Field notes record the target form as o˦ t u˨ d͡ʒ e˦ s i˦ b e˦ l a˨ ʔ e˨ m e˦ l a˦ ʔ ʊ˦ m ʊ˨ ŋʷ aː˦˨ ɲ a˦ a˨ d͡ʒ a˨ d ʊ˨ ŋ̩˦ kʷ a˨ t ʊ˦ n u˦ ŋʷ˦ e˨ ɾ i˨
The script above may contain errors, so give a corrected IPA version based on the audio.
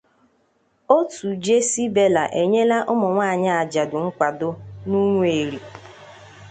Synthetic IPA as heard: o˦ t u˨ d͡ʒ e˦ s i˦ b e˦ l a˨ ʔ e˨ ɲ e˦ l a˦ ʔ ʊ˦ m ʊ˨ ŋʷ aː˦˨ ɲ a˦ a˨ d͡ʒ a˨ d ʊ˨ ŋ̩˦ kʷ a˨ d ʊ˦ n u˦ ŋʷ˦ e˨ ɾ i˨

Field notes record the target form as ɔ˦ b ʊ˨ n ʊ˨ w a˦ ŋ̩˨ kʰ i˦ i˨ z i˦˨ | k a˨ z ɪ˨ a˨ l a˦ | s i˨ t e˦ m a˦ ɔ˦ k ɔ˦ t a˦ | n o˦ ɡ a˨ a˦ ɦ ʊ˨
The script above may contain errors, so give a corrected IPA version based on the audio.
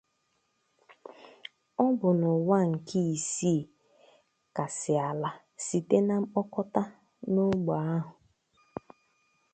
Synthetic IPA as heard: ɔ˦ b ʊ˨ n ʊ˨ w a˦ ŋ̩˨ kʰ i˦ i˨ s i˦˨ | k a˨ s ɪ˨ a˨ l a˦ | s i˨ t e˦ n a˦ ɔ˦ k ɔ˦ t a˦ | n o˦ ɡ͡b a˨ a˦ ɦ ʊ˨

